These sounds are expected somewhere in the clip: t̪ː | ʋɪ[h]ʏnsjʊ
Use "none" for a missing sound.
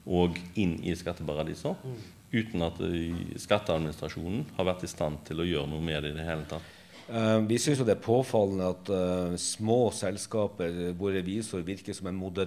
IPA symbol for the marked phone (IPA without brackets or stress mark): s